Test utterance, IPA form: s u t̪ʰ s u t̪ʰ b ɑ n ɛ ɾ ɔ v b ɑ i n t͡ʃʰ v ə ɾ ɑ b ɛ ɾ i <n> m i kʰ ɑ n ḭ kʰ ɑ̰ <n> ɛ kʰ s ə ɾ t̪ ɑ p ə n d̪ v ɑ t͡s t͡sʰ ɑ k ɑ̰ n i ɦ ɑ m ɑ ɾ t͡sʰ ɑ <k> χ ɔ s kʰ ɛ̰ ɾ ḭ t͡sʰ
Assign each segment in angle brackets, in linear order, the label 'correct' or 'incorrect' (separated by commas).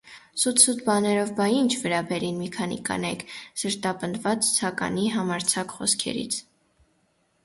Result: correct, correct, correct